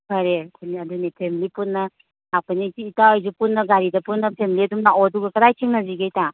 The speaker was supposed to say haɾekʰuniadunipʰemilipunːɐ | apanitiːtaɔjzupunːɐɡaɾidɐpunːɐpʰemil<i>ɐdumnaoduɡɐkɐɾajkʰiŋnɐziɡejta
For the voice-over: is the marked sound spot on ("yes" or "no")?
yes